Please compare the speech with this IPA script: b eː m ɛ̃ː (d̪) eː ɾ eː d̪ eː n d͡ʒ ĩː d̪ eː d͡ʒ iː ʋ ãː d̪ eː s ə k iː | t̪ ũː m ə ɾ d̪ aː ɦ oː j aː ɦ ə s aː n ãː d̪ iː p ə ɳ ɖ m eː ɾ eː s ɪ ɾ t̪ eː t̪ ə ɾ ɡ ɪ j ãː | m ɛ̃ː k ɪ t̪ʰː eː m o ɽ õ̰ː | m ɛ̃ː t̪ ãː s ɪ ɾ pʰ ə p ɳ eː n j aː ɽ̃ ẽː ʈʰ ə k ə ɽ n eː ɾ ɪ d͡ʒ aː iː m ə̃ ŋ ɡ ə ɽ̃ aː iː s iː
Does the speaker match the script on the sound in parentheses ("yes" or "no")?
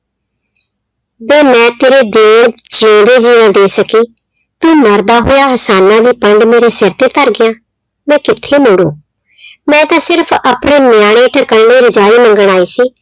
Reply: no